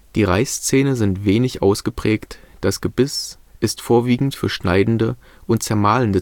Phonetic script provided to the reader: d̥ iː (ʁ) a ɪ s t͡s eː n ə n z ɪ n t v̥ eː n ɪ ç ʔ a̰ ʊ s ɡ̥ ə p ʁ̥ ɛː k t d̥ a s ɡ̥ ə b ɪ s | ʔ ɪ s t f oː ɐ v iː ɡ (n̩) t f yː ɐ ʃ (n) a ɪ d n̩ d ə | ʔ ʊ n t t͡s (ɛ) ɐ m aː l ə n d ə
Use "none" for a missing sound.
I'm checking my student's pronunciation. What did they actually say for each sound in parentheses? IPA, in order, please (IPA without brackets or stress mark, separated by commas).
ʁ, ŋ̩, n, ɛ